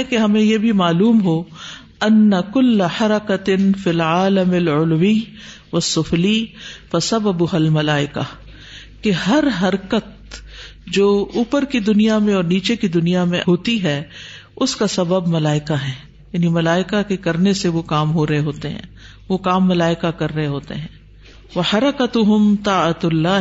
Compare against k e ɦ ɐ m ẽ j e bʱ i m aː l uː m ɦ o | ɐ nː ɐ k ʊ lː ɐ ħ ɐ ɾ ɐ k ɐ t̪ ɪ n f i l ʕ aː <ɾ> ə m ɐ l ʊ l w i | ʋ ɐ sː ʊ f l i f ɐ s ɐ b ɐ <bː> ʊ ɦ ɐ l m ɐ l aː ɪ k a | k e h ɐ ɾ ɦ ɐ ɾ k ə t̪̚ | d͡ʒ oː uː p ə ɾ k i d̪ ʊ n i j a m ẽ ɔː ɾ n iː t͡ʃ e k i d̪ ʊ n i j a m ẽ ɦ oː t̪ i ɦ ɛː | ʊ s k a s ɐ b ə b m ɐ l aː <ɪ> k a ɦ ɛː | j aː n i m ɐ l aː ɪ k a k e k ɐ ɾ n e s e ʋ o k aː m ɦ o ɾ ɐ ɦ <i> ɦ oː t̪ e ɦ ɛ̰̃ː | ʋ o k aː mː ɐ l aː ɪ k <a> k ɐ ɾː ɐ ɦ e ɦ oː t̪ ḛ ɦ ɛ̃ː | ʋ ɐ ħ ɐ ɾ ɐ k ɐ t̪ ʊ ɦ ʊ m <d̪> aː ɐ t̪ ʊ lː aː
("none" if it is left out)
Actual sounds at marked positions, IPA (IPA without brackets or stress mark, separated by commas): l, b, ɪ, e, a, t̪